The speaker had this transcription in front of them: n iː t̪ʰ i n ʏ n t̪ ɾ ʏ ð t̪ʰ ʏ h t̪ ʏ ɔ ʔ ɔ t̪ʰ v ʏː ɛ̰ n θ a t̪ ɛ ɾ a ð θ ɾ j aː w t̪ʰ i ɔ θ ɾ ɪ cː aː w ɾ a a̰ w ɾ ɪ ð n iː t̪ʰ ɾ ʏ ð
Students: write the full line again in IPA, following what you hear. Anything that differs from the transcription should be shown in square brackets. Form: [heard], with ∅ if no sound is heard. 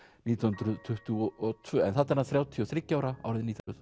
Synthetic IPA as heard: n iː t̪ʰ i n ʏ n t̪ ɾ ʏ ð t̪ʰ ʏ h t̪ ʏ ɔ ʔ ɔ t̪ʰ v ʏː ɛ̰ n θ a t̪ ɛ ɾ a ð θ ɾ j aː w t̪ʰ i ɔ θ ɾ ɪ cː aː w ɾ a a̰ w ɾ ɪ ð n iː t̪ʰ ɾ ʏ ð